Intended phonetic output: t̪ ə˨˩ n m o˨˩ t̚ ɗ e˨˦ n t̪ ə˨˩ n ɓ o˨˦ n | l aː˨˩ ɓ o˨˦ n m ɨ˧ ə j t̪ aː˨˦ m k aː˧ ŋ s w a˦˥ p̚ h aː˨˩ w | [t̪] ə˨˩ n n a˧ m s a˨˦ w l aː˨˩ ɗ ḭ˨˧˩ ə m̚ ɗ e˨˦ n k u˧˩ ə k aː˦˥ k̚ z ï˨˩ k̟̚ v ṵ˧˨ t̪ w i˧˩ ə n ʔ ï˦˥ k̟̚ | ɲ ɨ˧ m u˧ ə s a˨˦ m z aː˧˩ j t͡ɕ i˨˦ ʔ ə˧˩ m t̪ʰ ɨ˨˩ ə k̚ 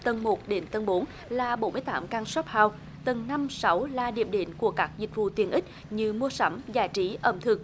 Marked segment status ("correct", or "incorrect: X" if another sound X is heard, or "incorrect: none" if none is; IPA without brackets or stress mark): correct